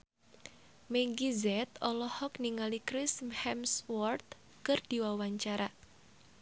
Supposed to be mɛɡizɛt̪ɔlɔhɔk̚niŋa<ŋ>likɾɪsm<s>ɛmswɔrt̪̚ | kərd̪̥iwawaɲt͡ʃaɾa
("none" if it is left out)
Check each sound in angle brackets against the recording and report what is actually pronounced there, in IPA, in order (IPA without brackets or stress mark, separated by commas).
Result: none, h